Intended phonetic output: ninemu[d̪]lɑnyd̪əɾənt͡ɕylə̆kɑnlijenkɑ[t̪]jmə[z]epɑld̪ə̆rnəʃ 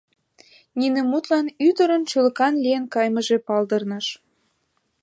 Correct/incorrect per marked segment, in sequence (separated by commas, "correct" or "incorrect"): incorrect, incorrect, incorrect